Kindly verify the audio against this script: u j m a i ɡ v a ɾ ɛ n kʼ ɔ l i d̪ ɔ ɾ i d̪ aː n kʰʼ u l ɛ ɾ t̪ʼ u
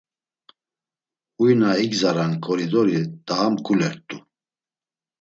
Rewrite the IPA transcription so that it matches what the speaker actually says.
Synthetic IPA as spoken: u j n a i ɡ z a ɾ a n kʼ ɔ ɾ i d̪ ɔ ɾ i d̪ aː m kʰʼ u l ɛ ɾ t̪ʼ u